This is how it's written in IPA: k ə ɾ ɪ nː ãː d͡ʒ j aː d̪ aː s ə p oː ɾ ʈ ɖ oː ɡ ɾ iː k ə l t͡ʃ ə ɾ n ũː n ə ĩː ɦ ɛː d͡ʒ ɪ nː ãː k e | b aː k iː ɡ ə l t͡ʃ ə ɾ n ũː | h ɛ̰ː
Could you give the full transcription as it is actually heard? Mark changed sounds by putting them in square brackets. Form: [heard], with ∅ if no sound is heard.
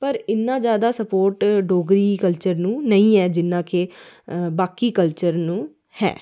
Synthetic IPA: [p] ə ɾ ɪ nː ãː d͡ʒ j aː d̪ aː s ə p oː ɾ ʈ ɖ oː ɡ ɾ iː k ə l t͡ʃ ə ɾ n ũː n ə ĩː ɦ ɛː d͡ʒ ɪ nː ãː k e | b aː k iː [k] ə l t͡ʃ ə ɾ n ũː | h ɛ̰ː